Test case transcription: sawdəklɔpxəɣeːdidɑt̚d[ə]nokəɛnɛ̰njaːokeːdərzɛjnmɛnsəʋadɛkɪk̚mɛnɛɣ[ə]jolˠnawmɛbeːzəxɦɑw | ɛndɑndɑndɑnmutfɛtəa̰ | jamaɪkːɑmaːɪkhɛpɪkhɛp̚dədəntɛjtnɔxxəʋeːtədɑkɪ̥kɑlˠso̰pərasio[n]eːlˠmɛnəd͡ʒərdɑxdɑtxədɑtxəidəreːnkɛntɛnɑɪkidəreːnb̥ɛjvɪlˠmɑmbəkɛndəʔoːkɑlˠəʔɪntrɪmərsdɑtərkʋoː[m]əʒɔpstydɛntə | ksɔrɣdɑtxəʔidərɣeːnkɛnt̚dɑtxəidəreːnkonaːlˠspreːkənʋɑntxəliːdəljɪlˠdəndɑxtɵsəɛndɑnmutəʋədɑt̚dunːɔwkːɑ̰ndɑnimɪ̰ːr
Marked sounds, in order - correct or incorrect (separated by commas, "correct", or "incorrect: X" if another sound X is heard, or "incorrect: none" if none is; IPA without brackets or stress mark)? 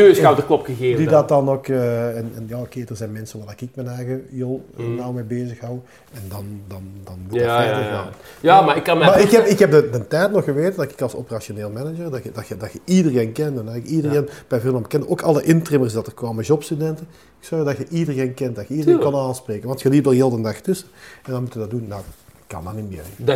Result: incorrect: ɑ, correct, correct, correct